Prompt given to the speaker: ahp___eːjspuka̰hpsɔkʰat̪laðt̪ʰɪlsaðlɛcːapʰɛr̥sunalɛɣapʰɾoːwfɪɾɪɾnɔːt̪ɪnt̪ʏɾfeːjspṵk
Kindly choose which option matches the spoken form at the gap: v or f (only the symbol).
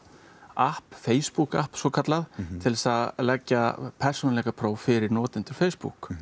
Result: f